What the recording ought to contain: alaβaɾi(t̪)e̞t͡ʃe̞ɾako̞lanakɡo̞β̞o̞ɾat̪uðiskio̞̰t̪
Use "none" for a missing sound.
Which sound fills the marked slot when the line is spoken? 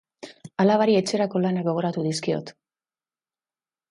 none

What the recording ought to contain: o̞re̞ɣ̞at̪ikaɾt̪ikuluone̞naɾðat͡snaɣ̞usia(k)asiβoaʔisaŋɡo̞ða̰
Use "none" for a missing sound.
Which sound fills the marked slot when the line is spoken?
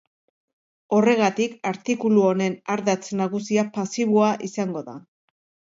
p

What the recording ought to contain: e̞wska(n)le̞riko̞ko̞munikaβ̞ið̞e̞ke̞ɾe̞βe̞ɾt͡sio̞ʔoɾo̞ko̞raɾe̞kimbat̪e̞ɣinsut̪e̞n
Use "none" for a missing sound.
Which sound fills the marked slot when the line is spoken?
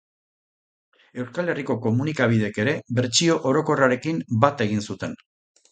none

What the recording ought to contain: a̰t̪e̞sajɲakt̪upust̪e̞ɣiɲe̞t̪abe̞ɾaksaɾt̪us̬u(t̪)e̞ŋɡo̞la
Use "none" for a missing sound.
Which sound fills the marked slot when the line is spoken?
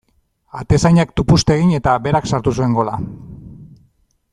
none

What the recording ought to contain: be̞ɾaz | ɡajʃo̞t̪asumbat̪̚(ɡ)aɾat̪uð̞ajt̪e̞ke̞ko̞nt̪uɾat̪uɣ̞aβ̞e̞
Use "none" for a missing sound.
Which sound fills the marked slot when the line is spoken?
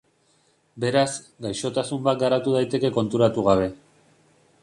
ɡ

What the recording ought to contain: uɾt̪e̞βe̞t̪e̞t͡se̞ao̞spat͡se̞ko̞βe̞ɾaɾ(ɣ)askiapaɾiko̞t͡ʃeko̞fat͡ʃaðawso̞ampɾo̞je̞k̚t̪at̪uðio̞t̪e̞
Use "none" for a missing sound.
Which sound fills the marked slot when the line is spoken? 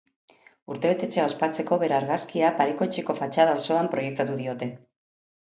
ɣ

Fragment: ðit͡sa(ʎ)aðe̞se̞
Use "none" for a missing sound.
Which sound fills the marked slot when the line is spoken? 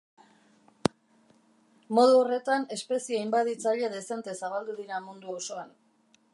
ʎ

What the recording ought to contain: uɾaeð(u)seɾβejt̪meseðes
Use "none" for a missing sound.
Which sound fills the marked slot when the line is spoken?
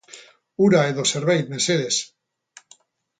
o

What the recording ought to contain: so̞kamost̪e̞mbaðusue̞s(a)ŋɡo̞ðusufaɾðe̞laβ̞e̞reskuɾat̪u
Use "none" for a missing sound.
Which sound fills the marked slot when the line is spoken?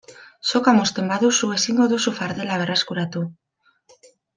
i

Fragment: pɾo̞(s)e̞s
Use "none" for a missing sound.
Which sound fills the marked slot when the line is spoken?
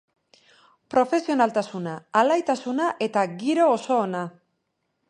f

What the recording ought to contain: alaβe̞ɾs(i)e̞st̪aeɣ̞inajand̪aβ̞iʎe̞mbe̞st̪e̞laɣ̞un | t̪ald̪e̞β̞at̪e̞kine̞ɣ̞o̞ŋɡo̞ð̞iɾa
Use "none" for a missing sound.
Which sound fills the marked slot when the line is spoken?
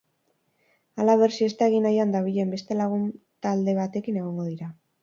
i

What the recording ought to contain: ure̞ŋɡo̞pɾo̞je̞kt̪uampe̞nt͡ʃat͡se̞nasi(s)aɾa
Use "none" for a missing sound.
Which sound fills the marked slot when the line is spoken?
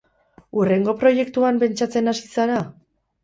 s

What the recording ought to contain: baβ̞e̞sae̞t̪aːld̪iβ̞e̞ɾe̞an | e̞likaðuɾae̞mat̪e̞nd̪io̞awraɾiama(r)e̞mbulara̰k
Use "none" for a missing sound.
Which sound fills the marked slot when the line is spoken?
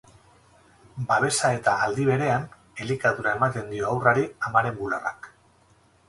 ɾ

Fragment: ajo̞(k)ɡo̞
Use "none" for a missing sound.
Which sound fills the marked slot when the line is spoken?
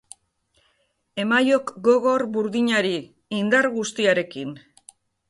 k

